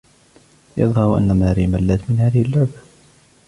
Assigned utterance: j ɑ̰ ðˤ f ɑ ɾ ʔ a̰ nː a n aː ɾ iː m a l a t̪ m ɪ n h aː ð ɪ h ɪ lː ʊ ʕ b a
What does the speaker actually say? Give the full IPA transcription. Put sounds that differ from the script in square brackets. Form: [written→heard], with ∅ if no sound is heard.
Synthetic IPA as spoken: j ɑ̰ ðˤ [f→h] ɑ ɾ ʔ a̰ nː a [n→m] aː ɾ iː m a [l→lː] a t̪ m ɪ n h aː ð ɪ h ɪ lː ʊ ʕ b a